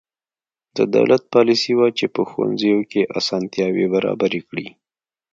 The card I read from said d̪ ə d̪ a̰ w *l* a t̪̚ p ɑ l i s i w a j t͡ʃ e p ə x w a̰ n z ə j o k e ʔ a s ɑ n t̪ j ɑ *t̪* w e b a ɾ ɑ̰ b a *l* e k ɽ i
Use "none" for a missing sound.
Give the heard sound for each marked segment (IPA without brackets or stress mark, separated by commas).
l, none, ɾ